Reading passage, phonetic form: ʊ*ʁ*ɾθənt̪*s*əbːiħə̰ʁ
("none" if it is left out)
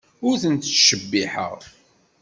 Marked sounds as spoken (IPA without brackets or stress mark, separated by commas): none, ʃ